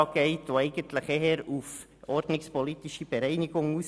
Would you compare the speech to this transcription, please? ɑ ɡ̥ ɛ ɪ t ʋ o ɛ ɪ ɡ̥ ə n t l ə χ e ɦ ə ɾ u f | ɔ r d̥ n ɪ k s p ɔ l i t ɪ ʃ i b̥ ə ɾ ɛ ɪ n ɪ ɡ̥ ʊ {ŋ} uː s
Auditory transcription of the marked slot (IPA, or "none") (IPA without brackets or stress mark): ŋ